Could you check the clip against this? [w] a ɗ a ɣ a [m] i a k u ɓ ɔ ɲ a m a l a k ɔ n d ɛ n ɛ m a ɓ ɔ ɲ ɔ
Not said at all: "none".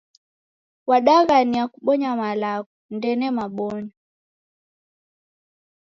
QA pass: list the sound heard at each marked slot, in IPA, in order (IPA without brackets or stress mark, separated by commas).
w, n